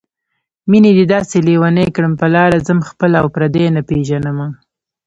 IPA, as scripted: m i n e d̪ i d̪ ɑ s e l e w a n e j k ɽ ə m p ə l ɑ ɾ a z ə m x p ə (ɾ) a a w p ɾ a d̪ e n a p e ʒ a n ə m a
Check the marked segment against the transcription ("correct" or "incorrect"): incorrect